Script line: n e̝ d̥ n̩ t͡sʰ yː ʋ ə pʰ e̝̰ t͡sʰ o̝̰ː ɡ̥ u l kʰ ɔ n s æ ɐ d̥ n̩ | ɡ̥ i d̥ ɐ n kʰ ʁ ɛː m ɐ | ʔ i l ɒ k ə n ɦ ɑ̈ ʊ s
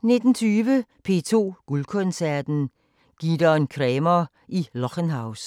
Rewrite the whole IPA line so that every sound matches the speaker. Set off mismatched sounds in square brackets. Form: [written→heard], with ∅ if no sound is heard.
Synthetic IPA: n e̝ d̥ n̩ t͡sʰ yː ʋ ə pʰ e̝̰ t͡sʰ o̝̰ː ɡ̥ u l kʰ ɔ n s æ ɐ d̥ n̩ | ɡ̥ i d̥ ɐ n kʰ ʁ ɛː m ɐ | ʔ i l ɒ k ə n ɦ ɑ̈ ʊ s